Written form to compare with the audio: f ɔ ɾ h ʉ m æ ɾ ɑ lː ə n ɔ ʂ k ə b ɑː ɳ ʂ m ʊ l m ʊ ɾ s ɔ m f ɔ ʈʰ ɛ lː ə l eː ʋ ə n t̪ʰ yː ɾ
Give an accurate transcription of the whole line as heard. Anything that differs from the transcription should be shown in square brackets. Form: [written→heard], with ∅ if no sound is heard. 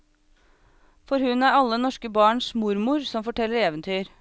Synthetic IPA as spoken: f ɔ ɾ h ʉ [m→n] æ ɾ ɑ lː ə n ɔ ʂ k ə b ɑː ɳ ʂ m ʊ [l→ɾ] m ʊ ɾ s ɔ m f ɔ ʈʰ ɛ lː ə [l→ɾ] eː ʋ ə n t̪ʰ yː ɾ